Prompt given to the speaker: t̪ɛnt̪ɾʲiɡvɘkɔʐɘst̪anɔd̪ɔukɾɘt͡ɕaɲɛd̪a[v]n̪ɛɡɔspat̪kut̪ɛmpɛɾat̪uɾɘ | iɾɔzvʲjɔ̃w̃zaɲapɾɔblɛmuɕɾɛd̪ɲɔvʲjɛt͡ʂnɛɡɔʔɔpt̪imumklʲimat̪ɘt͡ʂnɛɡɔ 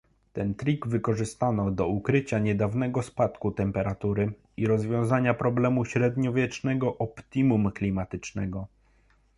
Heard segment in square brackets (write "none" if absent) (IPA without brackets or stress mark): v